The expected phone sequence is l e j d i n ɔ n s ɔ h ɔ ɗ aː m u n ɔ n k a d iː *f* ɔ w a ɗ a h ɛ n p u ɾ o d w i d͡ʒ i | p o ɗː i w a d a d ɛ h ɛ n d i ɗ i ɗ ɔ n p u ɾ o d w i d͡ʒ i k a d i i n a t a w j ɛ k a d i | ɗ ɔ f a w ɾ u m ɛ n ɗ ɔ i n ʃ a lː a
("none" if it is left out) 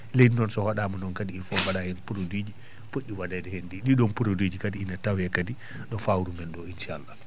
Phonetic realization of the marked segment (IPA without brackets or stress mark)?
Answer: f